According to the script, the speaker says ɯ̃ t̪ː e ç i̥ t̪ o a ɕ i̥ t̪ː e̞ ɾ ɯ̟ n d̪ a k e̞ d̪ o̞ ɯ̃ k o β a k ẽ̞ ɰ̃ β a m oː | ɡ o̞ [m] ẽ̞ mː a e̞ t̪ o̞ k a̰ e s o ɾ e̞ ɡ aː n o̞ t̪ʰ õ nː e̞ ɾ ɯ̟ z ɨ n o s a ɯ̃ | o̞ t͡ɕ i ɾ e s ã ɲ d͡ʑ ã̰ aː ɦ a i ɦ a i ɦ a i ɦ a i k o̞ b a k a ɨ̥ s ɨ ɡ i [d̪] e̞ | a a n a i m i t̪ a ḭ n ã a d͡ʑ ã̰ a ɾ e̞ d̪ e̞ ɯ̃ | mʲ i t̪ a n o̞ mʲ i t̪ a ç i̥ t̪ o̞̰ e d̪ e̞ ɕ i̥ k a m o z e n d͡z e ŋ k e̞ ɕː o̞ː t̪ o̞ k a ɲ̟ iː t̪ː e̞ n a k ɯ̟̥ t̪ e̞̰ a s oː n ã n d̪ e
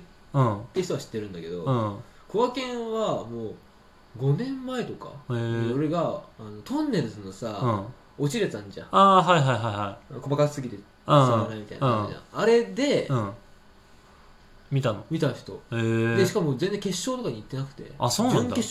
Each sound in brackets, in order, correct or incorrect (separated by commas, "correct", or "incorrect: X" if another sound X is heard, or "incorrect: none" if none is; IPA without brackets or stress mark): incorrect: n, incorrect: t̪